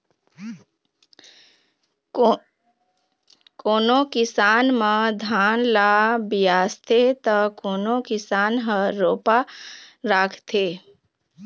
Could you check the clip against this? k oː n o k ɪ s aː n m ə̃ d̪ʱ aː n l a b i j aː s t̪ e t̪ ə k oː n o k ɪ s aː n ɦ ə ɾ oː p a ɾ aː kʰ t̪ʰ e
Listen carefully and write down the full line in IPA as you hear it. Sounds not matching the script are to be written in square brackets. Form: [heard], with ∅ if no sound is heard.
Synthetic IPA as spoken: k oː n o k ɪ s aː n m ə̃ d̪ʱ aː n l a b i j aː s [t̪ʰ] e t̪ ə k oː n o k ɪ s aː n ɦ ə ɾ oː p a ɾ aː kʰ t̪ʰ e